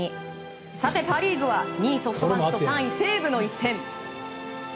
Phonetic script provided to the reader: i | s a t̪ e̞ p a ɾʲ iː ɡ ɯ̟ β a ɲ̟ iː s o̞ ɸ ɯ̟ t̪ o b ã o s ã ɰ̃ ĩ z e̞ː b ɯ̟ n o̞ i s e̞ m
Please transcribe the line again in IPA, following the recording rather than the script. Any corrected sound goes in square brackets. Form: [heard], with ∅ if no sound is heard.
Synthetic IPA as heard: i | s a t̪ e̞ p a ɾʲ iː ɡ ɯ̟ β a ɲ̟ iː s o̞ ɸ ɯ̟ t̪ o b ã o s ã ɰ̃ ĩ [s] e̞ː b ɯ̟ n o̞ i s [ẽ̞] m